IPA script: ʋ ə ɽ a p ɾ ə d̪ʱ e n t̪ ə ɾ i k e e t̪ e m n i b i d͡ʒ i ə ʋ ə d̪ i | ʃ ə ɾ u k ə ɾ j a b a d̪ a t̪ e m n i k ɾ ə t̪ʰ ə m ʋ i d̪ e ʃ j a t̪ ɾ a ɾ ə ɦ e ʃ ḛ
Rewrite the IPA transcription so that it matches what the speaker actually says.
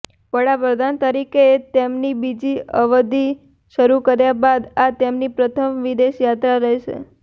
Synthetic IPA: ʋ ə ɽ a p ɾ ə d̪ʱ a n t̪ ə ɾ i k e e t̪ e m n i b i d͡ʒ i ə ʋ ə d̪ i | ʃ ə ɾ u k ə ɾ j a b a d̪ a t̪ e m n i p ɾ ə t̪ʰ ə m ʋ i d̪ e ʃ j a t̪ ɾ a ɾ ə ɦ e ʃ ḛ